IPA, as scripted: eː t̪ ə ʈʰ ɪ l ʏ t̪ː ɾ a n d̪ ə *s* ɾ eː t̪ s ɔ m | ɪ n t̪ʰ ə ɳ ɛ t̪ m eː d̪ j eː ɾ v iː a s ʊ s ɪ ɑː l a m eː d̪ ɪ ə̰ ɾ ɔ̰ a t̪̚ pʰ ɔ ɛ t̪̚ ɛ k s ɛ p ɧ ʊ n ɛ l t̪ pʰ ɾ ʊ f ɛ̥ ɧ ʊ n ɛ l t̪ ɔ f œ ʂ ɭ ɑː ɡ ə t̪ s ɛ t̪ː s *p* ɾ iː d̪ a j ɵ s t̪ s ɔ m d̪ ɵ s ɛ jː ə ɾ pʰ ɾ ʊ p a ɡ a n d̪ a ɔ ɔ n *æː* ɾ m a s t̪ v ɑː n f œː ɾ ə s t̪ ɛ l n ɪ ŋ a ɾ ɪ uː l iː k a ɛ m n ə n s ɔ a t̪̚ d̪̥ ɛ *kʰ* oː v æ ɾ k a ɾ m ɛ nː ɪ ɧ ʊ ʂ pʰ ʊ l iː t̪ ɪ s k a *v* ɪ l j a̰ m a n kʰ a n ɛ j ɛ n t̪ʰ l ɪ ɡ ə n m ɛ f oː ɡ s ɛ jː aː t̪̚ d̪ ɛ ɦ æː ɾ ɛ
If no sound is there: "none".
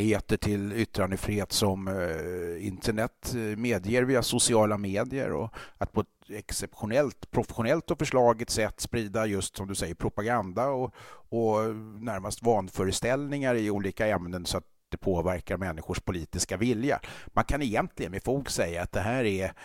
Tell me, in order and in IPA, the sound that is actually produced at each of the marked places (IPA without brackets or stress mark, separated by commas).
f, p, æ, pʰ, v